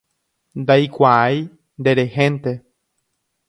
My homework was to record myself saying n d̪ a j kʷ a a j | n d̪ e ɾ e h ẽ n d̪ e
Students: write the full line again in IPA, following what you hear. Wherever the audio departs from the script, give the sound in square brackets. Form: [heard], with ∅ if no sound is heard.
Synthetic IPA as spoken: n d̪ a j kʷ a a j | n d̪ e ɾ e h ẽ n [t̪] e